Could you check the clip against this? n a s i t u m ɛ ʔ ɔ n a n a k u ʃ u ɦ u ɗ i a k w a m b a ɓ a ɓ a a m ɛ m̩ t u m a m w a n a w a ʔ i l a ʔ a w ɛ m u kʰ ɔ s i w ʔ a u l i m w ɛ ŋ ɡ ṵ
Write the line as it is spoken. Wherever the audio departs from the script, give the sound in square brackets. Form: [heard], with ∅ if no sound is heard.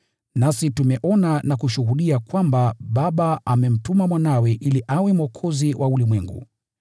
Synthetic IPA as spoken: n a s i t u m ɛ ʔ ɔ n a n a k u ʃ u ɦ u ɗ i a k w a m b a ɓ a ɓ a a m ɛ m̩ t u m a m w a n a w [ɛ] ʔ i l [i] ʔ a w ɛ m [ɔ] kʰ ɔ [z] i w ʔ a u l i m w ɛ ŋ ɡ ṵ

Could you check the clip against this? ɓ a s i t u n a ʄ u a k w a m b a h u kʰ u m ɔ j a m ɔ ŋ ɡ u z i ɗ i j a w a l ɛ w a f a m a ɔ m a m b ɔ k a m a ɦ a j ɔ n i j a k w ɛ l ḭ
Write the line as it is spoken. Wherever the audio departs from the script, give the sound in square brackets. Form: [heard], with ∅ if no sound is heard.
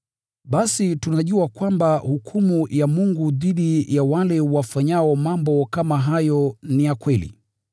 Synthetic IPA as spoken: ɓ a s i t u n a ʄ u a k w a m b a h u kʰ u m [u] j a m [u] ŋ ɡ u [ð] i ɗ i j a w a l ɛ w a f a [ɲ] a ɔ m a m b ɔ k a m a ɦ a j ɔ n i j a k w ɛ l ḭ

